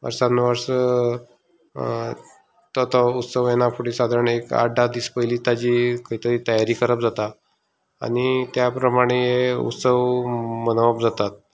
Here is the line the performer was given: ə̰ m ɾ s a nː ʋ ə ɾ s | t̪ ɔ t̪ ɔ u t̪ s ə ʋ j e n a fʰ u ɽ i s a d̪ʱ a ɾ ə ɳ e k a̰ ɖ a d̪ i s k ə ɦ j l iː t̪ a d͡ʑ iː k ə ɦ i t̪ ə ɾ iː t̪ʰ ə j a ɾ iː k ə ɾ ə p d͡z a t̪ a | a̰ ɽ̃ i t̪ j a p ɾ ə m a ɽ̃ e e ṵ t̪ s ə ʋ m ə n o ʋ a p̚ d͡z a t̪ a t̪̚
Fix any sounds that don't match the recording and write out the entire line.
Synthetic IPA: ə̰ ɾ s a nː ʋ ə ɾ s | t̪ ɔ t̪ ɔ u t̪ s ə ʋ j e n a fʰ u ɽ i s a d̪ʱ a ɾ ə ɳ e k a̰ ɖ a d̪ i s p ə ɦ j l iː t̪ a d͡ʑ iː k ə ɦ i t̪ ə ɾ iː t̪ ə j a ɾ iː k ə ɾ ə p d͡z a t̪ a | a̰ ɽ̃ i t̪ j a p ɾ ə m a ɽ̃ e e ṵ t̪ s ə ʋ m ə n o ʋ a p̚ d͡z a t̪ a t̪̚